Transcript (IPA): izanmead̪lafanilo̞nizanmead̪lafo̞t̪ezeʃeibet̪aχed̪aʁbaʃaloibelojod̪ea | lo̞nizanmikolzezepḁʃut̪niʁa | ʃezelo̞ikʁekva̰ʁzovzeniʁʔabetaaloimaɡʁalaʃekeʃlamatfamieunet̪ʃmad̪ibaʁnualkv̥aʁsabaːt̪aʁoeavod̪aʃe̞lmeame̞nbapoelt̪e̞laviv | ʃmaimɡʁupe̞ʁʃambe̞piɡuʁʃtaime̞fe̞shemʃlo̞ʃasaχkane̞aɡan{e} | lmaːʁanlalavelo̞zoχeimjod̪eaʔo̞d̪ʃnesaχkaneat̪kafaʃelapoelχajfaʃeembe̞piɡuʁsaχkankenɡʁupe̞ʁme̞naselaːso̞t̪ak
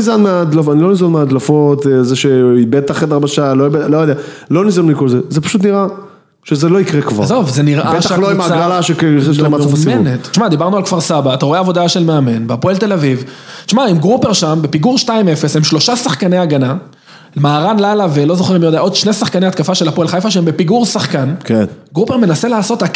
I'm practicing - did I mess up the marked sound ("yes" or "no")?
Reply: yes